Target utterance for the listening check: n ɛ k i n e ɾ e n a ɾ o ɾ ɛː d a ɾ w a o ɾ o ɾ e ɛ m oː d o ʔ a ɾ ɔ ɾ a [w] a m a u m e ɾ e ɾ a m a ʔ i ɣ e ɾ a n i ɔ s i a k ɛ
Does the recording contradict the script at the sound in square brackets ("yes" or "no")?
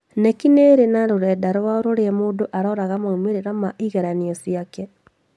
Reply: yes